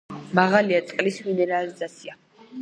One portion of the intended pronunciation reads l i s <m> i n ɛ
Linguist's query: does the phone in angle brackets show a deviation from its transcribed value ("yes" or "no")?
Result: no